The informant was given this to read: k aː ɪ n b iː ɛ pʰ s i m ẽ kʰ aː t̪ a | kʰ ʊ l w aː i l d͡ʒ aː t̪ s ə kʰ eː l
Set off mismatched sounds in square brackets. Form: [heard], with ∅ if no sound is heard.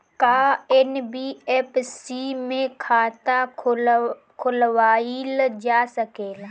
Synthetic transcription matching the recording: k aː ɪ n b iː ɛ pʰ s i m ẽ kʰ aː t̪ a | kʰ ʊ l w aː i l d͡ʒ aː [∅] s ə [k] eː l